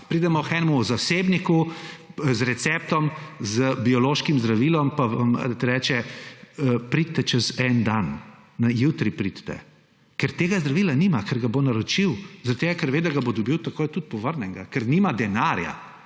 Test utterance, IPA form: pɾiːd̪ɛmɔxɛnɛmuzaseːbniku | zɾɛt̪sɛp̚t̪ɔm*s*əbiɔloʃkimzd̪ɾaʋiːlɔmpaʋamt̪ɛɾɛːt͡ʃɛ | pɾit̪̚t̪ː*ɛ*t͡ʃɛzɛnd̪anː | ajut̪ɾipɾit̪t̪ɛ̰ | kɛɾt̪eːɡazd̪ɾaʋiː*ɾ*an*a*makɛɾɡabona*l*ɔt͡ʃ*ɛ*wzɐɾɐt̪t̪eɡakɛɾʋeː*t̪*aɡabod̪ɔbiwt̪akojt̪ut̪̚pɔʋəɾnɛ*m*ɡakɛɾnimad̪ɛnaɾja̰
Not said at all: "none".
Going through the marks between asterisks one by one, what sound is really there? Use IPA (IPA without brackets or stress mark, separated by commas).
z, ɛ, l, i, ɾ, i, d̪, ŋ